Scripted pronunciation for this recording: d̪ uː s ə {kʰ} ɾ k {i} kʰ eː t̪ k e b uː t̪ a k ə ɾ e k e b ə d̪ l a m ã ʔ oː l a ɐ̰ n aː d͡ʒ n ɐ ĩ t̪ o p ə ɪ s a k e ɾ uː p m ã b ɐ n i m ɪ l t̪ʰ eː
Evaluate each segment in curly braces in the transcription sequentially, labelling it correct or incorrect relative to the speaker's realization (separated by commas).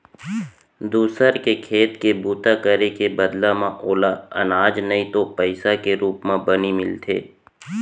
incorrect, incorrect